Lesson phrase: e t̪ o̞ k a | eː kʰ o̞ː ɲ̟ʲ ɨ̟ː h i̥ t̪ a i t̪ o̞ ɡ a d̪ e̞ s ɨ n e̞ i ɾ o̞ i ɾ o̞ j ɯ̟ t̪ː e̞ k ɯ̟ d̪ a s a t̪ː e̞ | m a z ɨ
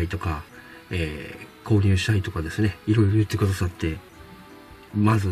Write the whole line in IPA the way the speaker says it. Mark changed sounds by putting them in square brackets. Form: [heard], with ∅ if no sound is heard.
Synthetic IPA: [i] t̪ o̞ k a | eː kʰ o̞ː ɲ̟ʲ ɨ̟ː [ɕ] i̥ t̪ a i t̪ o̞ [k] a d̪ e̞ s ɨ n e̞ i ɾ o̞ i ɾ o̞ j ɯ̟ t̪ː e̞ k ɯ̟ d̪ a s a t̪ː e̞ | m a z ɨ